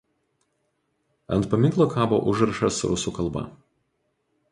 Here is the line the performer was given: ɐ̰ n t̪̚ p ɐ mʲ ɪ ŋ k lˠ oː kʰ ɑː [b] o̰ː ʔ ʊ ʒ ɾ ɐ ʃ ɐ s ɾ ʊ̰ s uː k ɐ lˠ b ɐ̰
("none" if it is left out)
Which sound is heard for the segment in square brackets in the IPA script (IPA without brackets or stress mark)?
b